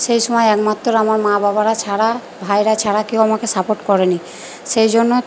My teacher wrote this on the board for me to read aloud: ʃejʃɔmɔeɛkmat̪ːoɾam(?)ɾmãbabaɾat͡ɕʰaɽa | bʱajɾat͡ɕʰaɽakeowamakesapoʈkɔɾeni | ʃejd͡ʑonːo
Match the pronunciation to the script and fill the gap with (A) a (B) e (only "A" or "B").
A